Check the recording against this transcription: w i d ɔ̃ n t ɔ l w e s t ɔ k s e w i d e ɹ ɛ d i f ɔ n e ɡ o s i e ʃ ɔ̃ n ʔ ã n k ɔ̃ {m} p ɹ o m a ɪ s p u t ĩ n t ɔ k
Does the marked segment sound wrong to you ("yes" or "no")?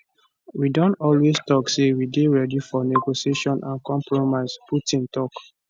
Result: no